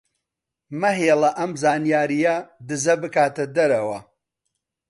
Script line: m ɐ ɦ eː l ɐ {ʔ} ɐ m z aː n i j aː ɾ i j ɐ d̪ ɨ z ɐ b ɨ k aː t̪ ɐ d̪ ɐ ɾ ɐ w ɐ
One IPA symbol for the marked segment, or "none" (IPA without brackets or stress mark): ʔ